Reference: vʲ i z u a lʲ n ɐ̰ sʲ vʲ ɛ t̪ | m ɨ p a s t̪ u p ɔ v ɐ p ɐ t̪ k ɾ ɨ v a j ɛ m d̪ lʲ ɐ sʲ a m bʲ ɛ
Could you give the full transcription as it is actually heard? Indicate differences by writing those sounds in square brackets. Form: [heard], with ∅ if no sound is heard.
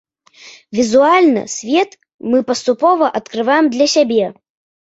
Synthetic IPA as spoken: vʲ i z u a lʲ n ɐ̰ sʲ vʲ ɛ t̪ | m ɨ p [ɐ] s t̪ u p ɔ v ɐ [ʔ] ɐ t̪ k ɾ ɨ v a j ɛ m d̪ lʲ ɐ sʲ a [∅] bʲ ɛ